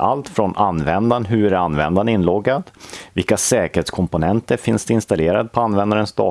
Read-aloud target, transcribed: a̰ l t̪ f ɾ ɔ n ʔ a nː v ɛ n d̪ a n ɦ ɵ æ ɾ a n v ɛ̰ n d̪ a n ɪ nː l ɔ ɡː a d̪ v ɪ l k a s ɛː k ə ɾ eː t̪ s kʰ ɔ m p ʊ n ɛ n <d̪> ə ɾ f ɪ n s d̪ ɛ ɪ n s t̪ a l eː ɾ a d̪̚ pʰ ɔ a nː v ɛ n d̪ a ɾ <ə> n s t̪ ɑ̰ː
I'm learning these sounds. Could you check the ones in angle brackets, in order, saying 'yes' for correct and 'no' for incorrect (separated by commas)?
no, yes